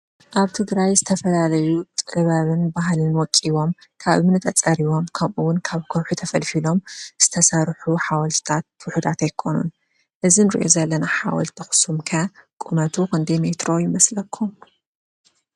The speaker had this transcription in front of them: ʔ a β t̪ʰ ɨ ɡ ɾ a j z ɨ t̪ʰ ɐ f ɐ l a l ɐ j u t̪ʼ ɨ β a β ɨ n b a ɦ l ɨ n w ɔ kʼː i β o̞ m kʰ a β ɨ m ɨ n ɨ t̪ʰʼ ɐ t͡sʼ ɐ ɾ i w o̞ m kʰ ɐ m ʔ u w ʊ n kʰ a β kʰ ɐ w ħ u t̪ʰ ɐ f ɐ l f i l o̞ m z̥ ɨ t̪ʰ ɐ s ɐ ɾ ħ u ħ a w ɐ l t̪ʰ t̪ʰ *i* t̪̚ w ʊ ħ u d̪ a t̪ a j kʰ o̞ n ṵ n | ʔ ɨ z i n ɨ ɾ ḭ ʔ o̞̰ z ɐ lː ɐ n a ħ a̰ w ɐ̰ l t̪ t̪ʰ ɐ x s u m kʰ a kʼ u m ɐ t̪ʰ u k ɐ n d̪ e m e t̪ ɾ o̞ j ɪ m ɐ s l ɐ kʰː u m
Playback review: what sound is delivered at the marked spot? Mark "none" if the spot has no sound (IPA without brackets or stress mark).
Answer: a